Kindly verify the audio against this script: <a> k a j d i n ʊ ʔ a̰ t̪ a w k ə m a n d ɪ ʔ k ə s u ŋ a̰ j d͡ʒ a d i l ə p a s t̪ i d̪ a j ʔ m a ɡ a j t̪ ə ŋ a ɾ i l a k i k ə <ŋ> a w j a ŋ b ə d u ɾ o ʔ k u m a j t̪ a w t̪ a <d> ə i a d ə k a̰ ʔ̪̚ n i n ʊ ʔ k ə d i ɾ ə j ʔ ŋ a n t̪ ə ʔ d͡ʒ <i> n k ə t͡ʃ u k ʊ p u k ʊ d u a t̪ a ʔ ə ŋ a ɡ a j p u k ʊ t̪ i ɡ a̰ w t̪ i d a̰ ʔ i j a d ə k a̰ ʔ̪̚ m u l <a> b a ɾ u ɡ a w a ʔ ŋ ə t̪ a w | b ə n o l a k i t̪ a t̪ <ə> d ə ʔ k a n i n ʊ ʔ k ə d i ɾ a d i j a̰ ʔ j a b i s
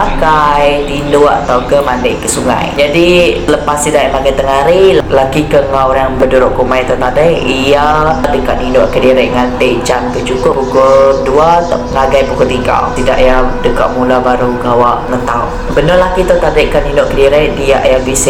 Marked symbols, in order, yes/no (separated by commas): yes, yes, yes, no, yes, no